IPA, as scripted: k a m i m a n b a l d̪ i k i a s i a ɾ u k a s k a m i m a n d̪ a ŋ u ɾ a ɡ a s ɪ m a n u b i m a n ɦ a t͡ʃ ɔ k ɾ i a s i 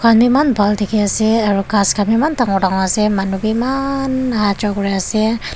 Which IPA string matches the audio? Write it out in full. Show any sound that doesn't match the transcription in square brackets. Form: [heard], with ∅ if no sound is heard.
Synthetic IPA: k a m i m a n b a l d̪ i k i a s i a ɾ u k a s k a m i m a n [t̪] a ŋ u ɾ a [ŋ] a s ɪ m a n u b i m a n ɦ a t͡ʃ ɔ k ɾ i a s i